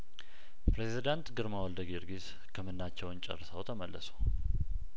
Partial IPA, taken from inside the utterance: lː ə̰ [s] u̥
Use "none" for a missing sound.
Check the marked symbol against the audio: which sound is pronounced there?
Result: s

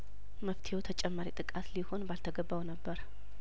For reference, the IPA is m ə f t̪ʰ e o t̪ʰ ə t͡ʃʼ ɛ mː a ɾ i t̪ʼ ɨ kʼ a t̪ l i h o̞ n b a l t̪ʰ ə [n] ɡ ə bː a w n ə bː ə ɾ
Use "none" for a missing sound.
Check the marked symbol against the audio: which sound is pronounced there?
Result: none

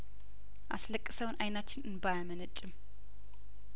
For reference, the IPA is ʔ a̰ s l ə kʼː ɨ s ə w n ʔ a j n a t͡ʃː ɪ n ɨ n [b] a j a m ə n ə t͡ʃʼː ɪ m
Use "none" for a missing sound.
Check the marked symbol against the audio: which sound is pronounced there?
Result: b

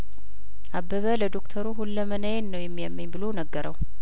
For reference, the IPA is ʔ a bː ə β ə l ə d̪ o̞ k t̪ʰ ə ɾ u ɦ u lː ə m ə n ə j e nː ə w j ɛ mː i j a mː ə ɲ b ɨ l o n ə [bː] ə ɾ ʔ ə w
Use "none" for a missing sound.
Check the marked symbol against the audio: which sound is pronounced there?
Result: ɡː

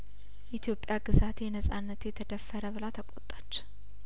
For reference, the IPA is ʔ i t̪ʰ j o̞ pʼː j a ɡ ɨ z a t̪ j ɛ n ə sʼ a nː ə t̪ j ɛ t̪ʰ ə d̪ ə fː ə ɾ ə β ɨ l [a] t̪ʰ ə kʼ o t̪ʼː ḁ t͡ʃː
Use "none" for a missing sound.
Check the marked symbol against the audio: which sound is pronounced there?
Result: a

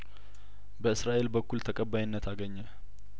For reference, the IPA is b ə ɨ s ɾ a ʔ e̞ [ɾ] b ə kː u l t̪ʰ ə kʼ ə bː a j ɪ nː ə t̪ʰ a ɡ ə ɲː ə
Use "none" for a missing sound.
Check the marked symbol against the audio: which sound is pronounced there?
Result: l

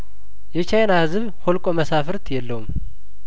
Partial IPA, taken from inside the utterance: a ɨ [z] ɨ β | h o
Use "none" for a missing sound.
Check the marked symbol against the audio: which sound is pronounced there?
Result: z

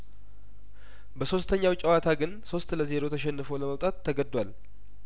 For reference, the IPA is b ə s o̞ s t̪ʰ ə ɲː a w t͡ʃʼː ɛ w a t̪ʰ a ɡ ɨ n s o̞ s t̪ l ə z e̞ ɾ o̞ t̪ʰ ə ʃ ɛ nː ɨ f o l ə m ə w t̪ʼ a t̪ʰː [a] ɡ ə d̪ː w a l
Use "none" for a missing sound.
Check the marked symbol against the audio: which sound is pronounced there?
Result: ə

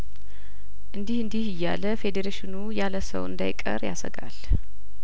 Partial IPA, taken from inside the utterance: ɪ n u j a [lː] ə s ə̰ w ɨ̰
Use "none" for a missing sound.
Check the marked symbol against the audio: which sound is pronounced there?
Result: l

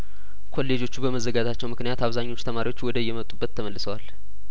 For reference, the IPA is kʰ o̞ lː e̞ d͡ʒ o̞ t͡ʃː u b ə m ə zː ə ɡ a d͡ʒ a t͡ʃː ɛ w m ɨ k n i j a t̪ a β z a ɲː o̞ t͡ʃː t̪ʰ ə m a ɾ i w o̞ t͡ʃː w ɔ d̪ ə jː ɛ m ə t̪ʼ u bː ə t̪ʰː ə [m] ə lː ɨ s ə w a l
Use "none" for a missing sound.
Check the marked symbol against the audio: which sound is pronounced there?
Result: m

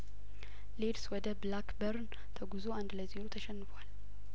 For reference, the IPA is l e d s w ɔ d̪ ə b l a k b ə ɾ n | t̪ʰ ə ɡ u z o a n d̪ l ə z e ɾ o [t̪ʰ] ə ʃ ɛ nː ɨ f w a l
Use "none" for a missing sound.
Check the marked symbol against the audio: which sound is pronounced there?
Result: t̪ʰ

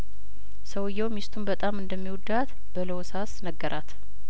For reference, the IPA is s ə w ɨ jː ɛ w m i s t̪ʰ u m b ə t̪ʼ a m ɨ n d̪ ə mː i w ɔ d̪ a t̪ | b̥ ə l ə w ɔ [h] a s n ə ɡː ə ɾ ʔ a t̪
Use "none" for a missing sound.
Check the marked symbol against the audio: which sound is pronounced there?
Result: s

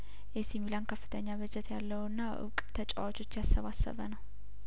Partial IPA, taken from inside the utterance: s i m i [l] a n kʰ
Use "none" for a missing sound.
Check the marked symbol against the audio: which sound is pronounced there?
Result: l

